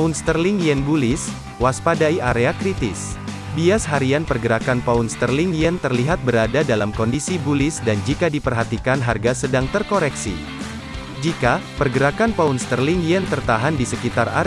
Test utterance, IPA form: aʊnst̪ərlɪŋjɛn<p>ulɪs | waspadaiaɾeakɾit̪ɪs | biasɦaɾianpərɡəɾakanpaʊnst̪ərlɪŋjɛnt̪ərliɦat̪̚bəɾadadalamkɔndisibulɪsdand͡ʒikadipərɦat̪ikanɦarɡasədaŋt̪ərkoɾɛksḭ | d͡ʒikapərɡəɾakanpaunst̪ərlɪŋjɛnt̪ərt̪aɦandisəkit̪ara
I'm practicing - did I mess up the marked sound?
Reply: yes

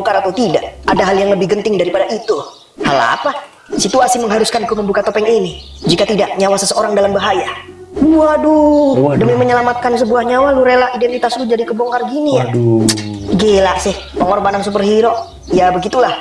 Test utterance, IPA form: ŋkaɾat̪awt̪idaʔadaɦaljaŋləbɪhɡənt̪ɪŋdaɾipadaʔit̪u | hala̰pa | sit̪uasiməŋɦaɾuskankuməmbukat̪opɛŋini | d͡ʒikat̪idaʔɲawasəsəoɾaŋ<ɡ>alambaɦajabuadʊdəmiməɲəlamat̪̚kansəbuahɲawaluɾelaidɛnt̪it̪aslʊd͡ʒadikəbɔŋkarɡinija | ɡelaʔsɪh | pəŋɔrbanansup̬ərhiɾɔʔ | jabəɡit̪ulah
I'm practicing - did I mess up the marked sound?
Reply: yes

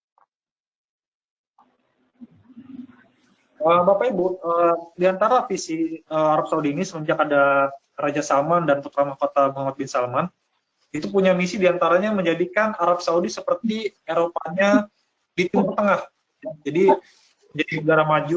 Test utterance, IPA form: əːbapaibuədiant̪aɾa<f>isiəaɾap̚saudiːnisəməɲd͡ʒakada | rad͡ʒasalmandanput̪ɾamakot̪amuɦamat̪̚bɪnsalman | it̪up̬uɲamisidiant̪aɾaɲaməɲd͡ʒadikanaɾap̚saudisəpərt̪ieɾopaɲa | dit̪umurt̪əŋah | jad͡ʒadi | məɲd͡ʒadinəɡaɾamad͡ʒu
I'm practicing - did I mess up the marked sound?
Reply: no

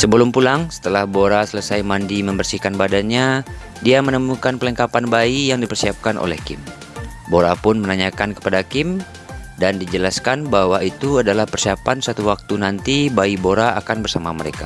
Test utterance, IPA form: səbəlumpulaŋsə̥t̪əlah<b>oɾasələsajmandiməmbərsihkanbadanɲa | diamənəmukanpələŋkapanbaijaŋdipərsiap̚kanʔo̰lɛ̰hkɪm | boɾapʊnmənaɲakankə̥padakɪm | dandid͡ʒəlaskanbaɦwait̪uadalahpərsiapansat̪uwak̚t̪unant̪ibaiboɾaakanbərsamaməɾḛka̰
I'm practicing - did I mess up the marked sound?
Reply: no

